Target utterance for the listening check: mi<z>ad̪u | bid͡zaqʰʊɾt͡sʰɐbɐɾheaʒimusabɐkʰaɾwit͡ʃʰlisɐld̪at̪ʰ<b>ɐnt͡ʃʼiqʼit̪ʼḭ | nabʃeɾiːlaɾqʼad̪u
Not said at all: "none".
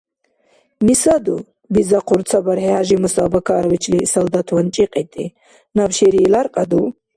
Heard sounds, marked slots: s, w

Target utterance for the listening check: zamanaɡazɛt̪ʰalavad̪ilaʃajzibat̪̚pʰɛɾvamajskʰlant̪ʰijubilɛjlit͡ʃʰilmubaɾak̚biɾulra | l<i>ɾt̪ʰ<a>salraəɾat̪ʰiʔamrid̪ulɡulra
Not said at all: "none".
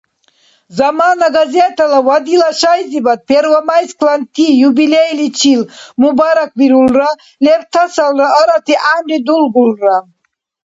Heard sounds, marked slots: ɛ, a

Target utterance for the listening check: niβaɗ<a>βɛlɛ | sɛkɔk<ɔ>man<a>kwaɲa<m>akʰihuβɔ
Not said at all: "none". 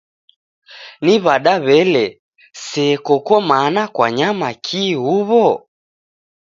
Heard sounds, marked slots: a, ɔ, a, m

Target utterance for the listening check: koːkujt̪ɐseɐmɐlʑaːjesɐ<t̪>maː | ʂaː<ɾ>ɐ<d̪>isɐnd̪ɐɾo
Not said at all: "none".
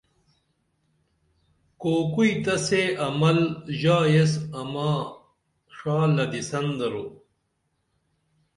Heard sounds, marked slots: none, l, d̪

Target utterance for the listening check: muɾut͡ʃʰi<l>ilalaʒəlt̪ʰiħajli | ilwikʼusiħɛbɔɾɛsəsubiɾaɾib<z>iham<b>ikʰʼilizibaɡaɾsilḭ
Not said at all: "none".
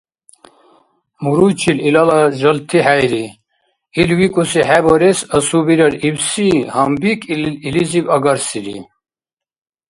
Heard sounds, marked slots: l, s, b

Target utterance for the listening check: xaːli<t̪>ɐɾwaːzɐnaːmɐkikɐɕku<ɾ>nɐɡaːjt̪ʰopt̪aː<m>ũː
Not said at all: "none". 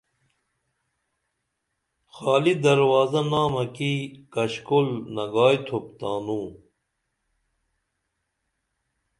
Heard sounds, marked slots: d̪, l, n

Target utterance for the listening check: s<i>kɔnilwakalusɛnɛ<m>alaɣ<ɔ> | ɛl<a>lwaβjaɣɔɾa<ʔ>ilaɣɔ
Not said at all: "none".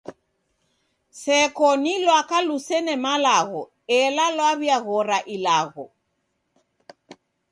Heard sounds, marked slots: ɛ, m, ɔ, a, ʔ

